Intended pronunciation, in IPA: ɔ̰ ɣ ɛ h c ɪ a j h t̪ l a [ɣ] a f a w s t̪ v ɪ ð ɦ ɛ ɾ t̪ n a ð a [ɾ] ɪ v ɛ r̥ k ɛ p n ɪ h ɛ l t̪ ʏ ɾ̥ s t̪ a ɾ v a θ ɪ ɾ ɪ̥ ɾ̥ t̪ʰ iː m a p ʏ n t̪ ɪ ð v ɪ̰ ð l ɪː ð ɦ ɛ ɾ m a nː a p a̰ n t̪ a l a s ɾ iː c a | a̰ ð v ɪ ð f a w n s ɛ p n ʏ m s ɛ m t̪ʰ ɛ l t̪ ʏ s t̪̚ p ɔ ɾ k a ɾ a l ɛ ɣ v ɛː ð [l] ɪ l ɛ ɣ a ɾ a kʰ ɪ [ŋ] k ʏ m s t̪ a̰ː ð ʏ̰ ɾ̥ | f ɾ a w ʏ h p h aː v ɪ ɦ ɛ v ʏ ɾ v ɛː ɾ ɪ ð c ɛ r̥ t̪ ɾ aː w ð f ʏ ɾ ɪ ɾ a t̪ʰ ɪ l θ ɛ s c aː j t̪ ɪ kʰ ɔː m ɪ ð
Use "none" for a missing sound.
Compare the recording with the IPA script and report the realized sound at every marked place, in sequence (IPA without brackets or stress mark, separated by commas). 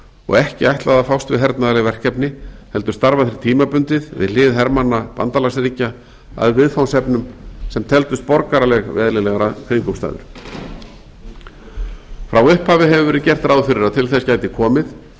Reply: ð, l, l, ŋ